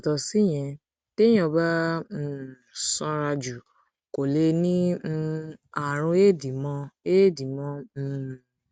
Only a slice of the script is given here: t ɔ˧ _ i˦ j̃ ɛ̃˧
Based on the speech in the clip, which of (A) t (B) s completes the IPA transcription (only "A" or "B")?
B